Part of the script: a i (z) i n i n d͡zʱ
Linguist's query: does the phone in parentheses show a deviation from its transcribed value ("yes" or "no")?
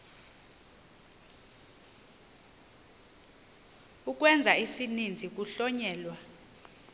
yes